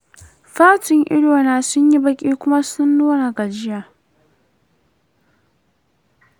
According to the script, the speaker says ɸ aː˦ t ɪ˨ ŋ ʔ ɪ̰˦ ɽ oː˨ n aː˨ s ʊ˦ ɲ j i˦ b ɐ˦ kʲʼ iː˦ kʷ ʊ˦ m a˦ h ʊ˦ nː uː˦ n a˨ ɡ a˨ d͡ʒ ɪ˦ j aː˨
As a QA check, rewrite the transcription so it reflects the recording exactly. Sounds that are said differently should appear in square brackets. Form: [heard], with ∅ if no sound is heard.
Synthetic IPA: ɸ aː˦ t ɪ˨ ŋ ʔ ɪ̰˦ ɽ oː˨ n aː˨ s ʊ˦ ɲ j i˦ b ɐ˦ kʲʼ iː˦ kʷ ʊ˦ m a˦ [s] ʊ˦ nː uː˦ n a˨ ɡ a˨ d͡ʒ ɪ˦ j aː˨